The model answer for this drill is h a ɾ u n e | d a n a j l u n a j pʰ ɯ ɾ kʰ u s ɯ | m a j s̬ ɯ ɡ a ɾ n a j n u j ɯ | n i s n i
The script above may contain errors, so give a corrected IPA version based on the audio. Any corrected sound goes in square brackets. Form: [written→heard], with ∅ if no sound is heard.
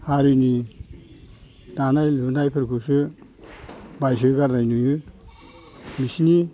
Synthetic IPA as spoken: h a ɾ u n [e→i] | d a n a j l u n a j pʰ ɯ ɾ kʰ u s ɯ | [m→b] a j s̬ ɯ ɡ a ɾ n a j n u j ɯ | [n→m] i s n i